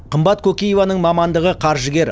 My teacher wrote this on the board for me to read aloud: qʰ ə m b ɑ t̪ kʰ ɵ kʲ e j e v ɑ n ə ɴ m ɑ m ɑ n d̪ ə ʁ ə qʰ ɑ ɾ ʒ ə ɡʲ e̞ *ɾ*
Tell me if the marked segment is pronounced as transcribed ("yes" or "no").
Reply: yes